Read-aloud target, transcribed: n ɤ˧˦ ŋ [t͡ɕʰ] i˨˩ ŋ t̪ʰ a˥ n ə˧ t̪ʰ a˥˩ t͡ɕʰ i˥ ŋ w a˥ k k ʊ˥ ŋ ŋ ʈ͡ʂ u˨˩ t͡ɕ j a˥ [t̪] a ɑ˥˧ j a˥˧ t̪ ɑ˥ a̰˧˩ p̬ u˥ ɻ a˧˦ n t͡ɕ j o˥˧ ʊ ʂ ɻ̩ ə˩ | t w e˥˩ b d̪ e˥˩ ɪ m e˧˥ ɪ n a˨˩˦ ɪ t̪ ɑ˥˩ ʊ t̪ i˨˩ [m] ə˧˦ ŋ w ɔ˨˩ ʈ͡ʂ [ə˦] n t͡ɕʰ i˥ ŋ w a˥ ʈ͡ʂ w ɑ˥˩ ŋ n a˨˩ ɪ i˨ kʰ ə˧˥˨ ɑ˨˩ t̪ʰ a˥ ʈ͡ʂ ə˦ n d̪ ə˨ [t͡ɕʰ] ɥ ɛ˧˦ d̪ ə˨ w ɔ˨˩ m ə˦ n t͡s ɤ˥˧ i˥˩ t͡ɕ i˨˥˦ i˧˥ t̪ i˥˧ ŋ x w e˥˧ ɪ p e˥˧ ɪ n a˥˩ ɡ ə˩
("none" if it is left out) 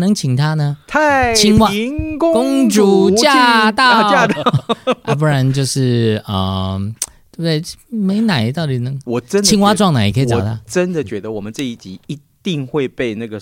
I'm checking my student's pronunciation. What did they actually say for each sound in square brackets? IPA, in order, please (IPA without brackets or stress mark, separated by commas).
t͡ɕʰ, t̪, n, ə˦, t͡ɕ